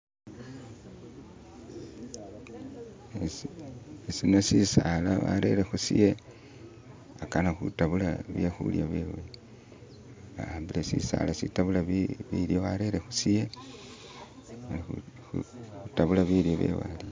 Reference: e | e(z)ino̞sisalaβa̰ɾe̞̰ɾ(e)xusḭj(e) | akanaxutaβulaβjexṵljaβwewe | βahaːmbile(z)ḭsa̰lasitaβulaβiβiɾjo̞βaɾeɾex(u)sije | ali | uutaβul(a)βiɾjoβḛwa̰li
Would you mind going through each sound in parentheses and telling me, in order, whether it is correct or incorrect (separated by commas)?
incorrect, correct, correct, incorrect, correct, correct